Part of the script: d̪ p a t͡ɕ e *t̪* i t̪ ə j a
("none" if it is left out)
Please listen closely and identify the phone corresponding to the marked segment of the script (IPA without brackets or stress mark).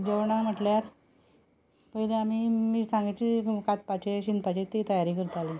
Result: t̪